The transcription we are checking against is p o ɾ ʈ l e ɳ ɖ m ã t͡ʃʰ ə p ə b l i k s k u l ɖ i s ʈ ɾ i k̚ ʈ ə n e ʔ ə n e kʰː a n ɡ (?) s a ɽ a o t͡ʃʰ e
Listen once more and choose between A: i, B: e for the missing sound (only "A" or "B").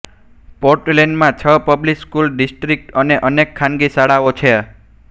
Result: A